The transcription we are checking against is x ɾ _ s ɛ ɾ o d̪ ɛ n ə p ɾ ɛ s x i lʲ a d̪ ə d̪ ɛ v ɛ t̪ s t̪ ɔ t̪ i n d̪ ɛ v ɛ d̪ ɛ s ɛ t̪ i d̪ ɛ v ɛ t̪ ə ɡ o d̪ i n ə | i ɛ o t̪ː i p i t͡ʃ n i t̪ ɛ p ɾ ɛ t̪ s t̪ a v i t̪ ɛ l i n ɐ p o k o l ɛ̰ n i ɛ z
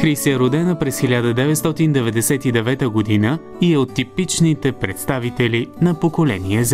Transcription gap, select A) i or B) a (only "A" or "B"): A